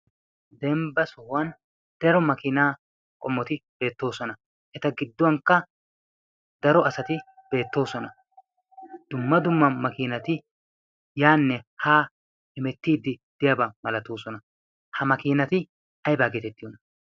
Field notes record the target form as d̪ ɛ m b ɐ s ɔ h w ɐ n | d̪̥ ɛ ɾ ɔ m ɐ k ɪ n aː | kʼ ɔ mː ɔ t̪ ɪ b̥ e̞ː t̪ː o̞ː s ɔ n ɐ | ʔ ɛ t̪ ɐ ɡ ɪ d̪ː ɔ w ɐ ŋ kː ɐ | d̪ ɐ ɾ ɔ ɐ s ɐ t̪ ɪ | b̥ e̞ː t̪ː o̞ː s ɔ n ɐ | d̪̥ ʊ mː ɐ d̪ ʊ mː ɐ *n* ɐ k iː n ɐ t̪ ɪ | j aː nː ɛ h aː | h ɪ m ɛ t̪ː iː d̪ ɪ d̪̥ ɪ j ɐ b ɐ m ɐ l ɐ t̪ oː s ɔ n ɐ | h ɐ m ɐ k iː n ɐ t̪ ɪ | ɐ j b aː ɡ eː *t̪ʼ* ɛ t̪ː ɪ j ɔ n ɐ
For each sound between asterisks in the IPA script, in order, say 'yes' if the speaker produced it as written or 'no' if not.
no, no

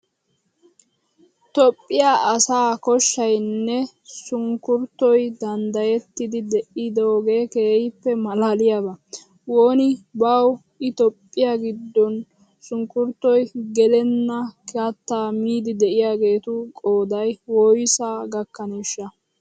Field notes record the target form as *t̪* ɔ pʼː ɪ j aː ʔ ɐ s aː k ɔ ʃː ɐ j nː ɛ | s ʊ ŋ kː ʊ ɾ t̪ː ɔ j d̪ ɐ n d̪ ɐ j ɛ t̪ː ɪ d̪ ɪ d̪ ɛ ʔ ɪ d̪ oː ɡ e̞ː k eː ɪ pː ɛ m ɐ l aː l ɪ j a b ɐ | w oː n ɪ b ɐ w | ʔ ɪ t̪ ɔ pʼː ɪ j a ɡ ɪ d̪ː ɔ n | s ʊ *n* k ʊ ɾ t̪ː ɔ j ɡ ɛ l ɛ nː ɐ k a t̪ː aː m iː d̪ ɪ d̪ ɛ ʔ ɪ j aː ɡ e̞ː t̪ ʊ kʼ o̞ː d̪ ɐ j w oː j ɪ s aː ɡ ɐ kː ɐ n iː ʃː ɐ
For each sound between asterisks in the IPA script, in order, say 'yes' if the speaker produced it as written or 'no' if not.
yes, no

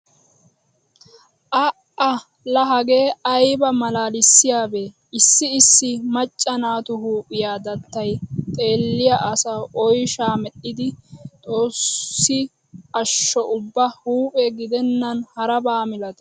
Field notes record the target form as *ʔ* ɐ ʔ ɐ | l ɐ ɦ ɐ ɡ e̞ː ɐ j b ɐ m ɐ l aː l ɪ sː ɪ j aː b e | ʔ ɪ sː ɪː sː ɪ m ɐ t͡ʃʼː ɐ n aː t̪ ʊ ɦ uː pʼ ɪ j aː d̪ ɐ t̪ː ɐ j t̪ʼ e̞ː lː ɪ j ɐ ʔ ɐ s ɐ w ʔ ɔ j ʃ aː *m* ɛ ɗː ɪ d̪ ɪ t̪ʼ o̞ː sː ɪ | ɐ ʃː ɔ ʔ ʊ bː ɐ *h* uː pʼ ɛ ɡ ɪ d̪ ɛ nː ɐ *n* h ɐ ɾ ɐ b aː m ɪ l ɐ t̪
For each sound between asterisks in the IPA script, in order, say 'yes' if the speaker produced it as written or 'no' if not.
yes, yes, yes, yes

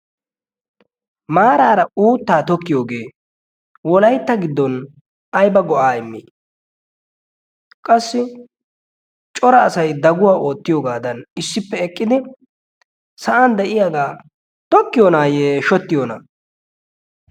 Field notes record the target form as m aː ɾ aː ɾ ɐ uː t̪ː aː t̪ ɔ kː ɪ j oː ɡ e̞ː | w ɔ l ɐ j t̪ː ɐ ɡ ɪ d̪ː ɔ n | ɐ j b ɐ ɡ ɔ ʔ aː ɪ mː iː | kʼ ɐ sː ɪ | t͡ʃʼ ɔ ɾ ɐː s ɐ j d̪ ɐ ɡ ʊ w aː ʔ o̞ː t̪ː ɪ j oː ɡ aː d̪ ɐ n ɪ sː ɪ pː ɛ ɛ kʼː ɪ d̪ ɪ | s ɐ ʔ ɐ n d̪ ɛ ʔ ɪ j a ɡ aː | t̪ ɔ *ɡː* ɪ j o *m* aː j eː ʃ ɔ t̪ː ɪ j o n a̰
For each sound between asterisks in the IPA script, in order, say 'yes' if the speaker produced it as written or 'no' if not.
no, no

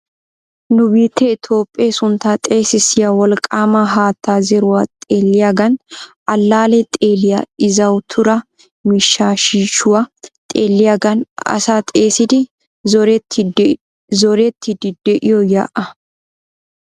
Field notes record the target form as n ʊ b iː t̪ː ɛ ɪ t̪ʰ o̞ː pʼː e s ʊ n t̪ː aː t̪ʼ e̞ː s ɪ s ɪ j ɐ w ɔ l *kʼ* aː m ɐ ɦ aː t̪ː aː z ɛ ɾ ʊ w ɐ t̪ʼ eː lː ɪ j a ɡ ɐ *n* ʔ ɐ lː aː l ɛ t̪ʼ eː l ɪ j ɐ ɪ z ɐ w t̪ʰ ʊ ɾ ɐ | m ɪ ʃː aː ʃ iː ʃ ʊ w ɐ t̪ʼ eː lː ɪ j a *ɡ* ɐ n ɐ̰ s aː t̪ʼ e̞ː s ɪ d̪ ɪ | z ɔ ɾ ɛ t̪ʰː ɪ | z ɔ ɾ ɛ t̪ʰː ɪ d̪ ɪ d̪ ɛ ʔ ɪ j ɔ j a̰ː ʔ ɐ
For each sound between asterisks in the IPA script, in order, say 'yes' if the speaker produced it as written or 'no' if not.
yes, yes, yes

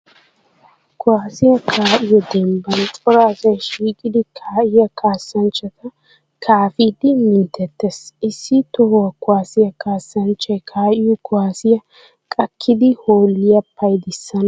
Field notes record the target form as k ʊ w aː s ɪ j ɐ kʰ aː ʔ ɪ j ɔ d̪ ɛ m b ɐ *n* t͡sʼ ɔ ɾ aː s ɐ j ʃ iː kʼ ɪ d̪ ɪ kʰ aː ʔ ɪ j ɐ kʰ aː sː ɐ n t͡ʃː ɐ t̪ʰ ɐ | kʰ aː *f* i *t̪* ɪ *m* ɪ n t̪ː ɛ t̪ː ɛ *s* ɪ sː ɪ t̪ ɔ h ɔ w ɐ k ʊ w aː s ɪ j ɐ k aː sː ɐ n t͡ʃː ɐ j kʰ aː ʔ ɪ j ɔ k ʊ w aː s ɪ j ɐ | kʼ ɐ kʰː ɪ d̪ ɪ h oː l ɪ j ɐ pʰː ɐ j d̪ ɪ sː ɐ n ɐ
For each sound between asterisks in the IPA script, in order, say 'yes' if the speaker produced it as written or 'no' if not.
yes, yes, no, yes, yes

